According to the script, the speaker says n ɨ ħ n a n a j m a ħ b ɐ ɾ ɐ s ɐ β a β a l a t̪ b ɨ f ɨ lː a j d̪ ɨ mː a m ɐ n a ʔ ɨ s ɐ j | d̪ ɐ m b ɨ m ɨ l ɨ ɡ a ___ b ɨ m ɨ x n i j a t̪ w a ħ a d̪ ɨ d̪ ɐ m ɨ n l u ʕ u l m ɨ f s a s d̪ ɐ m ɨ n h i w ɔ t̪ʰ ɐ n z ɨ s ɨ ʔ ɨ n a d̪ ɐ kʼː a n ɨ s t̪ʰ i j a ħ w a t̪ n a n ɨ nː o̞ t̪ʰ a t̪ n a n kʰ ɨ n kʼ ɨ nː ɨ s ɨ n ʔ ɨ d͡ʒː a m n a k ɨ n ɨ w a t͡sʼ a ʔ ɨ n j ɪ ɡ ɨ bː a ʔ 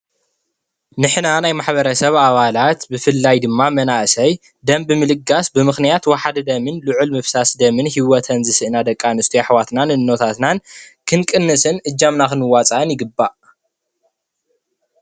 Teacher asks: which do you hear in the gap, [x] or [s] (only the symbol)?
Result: s